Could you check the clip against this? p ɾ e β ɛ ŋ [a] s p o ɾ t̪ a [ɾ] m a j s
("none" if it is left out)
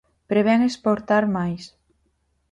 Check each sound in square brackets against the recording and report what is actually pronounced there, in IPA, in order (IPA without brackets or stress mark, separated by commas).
e, ɾ